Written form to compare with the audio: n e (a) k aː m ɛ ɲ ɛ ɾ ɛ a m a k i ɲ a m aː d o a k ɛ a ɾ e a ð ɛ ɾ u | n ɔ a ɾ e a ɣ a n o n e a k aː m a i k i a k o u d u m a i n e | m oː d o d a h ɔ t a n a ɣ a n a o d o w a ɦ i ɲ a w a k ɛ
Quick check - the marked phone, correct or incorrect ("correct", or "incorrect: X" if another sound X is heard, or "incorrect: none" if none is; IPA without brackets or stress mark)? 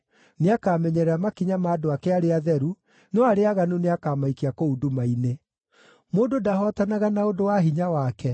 correct